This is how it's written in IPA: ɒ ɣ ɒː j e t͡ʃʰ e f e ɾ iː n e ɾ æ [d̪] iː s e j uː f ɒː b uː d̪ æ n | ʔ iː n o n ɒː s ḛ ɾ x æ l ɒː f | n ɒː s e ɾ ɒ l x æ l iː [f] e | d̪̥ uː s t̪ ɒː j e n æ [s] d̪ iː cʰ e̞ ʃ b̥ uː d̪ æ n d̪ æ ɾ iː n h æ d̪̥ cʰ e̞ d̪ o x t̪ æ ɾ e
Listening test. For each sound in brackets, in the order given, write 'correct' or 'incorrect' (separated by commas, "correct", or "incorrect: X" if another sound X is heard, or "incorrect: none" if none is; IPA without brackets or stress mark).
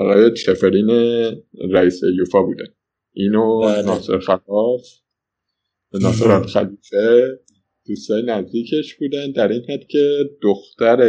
incorrect: none, correct, incorrect: z